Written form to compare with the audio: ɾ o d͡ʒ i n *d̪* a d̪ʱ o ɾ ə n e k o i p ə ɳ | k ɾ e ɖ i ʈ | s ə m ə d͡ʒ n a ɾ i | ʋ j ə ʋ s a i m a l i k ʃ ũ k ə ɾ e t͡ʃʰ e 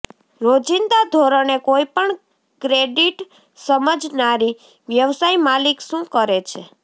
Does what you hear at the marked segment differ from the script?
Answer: no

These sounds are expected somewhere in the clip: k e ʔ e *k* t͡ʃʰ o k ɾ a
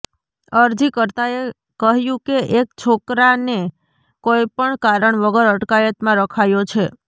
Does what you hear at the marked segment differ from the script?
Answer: no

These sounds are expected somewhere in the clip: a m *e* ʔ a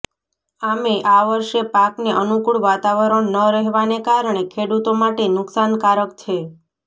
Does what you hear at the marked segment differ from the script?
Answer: no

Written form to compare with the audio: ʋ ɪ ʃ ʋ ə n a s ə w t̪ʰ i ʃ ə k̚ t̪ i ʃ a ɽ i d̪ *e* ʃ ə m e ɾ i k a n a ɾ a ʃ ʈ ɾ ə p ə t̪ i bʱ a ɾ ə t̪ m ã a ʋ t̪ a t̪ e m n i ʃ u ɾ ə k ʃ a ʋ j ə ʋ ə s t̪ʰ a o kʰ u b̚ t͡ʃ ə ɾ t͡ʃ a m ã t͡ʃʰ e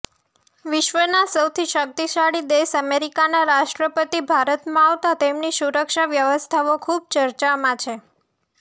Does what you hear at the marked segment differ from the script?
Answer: no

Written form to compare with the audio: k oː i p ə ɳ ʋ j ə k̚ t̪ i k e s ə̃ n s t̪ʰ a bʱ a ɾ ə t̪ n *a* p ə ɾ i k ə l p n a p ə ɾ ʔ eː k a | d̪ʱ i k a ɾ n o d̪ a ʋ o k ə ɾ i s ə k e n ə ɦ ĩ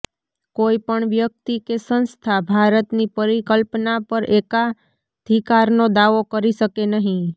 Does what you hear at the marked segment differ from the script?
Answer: yes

